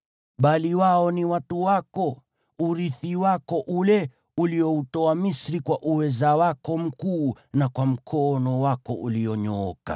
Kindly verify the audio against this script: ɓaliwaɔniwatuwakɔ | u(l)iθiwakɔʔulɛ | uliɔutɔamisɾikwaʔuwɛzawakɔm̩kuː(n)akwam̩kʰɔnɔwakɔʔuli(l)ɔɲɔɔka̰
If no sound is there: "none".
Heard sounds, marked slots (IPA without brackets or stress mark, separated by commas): ɾ, n, none